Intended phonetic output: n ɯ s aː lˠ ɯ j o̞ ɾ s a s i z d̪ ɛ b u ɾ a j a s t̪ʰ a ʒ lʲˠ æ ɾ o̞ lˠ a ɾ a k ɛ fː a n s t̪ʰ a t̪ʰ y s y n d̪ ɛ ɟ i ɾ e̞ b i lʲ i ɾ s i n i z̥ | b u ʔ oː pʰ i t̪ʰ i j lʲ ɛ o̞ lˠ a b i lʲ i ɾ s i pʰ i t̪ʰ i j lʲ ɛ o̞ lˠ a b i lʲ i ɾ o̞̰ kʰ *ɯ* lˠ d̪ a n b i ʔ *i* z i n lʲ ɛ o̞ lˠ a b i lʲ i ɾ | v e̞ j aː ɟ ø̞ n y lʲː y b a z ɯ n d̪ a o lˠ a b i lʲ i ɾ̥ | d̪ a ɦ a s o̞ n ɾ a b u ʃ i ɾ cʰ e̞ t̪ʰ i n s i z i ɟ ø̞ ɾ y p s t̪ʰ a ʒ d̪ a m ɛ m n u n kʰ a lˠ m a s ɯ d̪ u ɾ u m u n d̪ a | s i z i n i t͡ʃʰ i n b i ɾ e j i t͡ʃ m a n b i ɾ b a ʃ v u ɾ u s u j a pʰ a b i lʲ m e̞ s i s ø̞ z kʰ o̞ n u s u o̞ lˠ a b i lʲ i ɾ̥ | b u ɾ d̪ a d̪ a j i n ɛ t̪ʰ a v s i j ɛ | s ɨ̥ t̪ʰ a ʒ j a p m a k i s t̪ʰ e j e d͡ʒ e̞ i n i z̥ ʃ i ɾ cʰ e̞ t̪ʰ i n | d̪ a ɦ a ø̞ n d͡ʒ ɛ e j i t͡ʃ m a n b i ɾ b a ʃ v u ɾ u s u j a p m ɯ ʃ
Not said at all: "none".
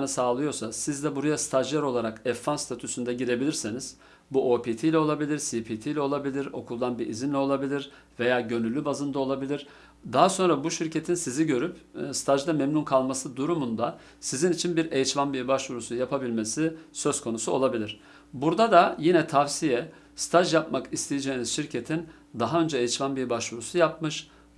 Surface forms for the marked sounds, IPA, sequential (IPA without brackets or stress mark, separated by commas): u, i